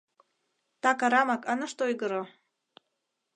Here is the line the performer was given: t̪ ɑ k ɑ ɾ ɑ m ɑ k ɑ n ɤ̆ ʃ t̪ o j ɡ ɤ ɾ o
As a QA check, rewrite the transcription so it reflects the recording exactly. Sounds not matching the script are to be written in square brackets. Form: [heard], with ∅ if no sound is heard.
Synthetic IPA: t̪ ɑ k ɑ ɾ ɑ m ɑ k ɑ n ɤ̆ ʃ t̪ o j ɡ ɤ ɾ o